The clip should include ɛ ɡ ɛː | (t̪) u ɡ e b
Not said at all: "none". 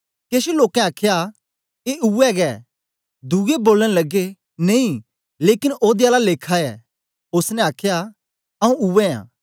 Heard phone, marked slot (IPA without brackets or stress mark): d̪